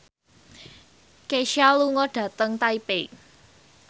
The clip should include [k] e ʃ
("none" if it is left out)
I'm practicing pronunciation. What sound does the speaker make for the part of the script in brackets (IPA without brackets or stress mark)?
k